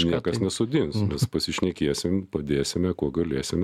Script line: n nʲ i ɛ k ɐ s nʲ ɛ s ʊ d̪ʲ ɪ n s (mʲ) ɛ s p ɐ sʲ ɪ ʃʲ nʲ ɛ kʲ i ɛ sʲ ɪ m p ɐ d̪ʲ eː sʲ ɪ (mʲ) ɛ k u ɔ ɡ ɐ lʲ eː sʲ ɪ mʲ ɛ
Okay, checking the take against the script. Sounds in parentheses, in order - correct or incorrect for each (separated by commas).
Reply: correct, correct